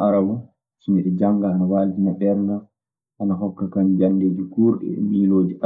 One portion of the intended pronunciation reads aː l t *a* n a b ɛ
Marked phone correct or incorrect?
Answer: incorrect